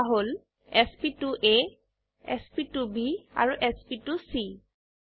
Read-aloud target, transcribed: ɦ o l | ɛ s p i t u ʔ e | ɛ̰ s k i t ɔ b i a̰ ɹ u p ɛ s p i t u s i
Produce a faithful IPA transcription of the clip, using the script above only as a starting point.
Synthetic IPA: ɦ o l | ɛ s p i t u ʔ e | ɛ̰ s p i t u b i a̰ ɹ u ʔ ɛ s p i t u s i